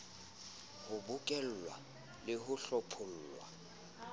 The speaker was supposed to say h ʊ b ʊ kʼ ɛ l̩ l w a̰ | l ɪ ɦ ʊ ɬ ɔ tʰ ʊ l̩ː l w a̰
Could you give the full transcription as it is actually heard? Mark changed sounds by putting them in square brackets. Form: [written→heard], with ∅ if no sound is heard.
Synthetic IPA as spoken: h ʊ b ʊ kʼ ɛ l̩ l w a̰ | l ɪ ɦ ʊ ɬ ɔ [tʰ→pʰ] ʊ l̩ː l w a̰